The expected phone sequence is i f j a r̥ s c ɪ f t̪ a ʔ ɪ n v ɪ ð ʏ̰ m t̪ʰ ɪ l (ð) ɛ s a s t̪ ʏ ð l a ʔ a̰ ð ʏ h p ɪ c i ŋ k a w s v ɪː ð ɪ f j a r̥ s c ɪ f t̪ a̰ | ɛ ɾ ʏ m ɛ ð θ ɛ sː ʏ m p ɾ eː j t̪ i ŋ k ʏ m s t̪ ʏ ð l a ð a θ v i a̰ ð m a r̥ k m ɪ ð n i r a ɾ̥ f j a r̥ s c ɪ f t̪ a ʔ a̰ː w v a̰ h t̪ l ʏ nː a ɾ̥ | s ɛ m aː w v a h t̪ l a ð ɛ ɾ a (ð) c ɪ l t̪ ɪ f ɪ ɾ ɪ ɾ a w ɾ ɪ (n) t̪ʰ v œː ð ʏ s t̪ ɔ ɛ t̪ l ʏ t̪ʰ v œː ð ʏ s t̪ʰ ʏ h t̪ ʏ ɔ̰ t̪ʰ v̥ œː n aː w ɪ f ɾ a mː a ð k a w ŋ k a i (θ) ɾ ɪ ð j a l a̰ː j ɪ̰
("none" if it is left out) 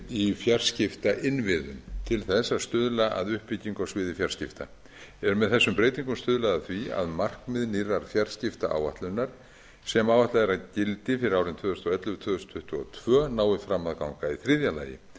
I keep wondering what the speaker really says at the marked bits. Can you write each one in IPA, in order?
θ, ð, n, θ

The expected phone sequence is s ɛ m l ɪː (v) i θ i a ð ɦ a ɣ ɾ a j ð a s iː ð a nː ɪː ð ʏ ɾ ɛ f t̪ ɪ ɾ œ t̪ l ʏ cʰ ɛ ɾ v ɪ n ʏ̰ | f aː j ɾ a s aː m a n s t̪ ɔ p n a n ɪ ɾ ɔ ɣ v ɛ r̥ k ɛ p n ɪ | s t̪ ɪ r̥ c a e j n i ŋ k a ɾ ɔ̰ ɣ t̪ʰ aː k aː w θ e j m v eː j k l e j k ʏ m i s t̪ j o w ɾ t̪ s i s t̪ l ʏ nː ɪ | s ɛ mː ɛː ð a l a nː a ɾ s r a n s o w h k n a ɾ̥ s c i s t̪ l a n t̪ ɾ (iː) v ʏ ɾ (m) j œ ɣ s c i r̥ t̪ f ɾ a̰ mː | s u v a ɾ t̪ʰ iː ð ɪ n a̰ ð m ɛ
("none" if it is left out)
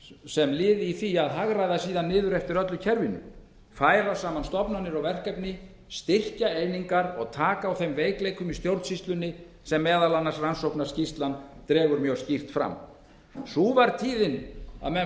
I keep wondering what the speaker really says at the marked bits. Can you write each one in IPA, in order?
ð, ɛː, m

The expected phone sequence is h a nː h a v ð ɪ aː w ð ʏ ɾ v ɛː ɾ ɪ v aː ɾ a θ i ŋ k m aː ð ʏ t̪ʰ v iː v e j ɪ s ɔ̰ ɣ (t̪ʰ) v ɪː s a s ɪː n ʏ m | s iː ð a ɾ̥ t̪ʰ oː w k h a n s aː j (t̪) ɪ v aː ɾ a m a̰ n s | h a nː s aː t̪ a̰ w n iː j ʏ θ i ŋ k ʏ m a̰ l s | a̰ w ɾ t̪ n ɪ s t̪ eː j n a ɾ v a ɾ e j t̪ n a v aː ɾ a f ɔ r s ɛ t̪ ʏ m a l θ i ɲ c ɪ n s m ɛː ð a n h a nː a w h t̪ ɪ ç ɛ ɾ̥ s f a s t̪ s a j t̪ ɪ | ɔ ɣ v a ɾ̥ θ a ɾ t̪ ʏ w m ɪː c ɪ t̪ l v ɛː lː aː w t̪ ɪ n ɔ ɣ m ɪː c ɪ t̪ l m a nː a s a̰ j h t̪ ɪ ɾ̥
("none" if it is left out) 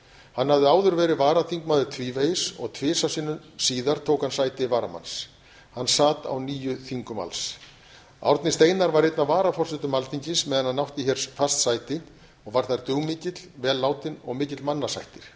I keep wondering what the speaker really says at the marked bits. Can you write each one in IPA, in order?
t̪ʰ, t̪

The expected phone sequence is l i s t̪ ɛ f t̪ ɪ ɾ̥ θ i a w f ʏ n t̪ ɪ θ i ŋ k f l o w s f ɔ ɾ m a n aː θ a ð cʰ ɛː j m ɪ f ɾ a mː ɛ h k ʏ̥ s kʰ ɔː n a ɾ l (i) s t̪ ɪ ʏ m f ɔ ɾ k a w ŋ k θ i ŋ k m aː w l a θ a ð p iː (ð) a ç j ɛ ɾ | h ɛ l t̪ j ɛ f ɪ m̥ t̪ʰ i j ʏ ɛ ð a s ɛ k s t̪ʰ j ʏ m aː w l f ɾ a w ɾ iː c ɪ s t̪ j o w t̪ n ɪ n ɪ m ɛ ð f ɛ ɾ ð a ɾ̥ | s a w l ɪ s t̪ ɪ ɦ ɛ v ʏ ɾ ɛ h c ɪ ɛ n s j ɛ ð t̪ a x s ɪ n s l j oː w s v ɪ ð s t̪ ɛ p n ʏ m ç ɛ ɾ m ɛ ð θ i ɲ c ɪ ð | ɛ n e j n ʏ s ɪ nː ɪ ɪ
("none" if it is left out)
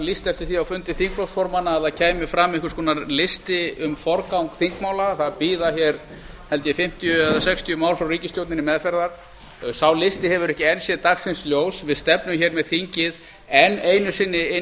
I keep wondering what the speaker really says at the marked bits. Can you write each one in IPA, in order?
ɪ, ð

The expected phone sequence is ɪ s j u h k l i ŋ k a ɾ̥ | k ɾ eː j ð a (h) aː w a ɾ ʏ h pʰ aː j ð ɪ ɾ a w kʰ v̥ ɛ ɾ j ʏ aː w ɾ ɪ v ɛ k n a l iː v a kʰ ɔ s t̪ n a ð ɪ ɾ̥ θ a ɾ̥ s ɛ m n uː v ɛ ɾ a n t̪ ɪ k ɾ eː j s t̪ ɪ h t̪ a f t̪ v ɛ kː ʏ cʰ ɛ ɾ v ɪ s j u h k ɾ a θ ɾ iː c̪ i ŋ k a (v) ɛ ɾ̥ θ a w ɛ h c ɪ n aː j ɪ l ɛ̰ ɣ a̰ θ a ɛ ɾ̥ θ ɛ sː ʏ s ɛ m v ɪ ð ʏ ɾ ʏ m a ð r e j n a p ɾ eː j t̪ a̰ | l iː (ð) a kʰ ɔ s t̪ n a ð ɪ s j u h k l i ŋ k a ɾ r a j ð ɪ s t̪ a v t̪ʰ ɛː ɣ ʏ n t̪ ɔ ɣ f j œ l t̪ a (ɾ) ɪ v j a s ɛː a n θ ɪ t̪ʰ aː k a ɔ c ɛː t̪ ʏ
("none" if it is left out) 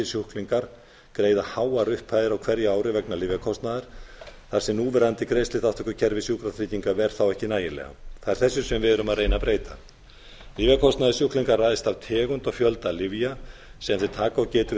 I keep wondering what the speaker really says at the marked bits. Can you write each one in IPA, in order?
h, v, v, l

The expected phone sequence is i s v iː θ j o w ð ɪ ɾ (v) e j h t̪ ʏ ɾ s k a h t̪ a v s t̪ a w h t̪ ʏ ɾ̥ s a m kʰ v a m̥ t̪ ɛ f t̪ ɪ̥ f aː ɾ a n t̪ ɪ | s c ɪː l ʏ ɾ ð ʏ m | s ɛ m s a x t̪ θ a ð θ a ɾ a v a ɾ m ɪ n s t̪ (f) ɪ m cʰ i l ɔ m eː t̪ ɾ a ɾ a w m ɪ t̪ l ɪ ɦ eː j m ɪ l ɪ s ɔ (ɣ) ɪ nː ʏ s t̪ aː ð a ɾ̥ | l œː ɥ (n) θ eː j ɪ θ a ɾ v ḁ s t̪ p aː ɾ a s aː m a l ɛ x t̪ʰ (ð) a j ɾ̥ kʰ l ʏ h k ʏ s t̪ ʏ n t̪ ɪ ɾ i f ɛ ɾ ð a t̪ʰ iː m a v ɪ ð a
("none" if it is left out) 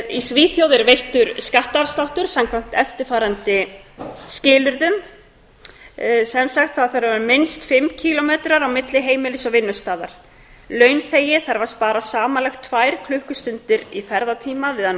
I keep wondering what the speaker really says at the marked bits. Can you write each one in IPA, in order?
v, f, v, n, v

